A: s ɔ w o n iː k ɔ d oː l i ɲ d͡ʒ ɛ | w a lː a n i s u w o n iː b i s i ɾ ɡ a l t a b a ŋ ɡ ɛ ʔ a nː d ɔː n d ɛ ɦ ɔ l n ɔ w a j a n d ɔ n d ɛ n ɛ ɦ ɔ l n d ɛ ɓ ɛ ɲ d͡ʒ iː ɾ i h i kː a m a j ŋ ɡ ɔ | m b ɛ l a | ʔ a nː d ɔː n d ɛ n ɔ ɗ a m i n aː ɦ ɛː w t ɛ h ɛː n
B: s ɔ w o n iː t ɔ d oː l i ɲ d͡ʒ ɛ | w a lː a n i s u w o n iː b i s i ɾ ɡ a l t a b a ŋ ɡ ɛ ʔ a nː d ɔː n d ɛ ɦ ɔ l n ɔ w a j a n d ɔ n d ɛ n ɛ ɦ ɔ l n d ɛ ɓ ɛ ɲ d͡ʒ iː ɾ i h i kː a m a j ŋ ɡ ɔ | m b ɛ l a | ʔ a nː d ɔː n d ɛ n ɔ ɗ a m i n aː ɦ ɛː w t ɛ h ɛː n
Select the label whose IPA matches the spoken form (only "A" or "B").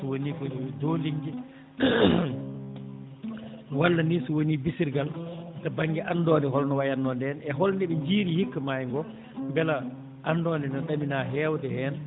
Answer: A